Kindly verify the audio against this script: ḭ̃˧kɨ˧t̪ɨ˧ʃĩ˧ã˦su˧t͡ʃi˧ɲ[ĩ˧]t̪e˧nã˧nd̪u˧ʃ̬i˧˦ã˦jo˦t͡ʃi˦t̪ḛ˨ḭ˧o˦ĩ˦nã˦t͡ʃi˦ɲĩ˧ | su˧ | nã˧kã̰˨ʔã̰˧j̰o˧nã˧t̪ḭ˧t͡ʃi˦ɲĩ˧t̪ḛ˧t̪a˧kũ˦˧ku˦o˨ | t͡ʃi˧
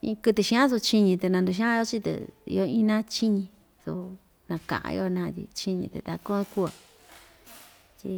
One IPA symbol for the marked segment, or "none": ĩ˧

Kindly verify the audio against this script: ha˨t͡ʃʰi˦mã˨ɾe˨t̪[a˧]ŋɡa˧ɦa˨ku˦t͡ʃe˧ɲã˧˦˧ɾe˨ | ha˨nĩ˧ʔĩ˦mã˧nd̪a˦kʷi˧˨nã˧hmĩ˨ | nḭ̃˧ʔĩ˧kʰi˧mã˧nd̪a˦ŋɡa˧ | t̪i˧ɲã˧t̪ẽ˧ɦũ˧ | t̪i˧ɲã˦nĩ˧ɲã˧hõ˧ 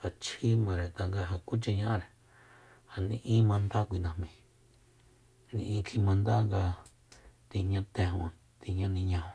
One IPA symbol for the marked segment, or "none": a˧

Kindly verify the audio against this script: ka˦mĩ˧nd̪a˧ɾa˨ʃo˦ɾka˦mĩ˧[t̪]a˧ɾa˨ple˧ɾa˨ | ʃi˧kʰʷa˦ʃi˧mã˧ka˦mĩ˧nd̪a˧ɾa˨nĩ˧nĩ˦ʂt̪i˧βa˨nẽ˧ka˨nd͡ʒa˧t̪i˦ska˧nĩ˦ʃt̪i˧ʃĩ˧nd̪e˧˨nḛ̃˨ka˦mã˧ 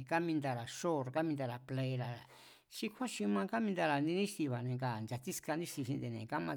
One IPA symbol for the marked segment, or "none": d̪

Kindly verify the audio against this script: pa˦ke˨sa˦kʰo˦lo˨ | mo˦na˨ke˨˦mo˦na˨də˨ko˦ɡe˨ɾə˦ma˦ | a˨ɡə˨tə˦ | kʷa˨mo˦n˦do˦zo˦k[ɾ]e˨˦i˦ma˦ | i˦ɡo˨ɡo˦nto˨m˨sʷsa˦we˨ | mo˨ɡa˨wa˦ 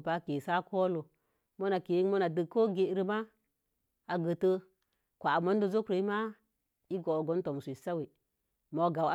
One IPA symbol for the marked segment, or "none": ɾ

